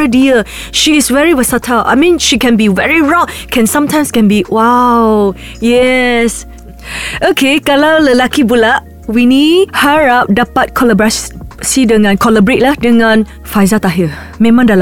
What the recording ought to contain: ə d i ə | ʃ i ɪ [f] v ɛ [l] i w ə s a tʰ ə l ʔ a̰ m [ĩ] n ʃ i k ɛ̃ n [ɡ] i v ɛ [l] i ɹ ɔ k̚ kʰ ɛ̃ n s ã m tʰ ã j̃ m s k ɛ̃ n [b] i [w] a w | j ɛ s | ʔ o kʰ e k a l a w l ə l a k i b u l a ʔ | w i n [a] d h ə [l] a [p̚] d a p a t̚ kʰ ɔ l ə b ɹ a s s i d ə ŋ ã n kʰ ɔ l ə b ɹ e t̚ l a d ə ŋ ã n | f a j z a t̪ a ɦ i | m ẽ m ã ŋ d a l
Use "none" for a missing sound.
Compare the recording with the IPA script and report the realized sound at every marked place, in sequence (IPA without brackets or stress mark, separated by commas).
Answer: s, ɹ, ĩ, b, ɹ, b, w, i, ɹ, p̚